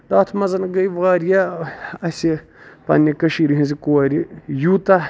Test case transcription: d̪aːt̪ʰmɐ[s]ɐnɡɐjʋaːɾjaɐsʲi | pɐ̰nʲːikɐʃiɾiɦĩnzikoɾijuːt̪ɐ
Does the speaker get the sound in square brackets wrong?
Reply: yes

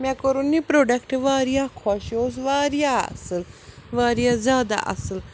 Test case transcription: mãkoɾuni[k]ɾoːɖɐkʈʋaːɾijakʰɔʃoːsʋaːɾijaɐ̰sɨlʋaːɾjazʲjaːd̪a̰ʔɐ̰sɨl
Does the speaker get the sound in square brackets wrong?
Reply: yes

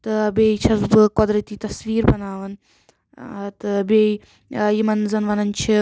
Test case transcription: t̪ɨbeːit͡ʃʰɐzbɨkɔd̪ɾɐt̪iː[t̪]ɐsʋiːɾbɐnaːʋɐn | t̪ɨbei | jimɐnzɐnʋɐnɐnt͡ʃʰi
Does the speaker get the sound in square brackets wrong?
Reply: no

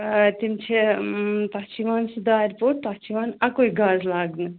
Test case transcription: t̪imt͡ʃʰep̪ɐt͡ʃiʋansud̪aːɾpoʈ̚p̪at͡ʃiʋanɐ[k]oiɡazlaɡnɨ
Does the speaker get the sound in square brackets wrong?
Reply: no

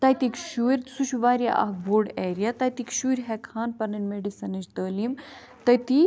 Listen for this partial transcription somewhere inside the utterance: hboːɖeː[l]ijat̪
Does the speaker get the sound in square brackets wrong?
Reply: yes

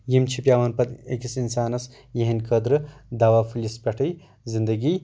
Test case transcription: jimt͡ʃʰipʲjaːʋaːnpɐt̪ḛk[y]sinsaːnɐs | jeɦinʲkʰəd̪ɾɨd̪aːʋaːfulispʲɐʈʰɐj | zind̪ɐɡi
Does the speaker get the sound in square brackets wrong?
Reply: yes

